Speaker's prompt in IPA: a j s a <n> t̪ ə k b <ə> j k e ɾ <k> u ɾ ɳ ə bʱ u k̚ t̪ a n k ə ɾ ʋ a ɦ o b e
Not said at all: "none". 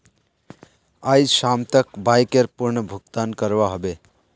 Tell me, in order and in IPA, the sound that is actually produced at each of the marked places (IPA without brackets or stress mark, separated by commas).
m, a, p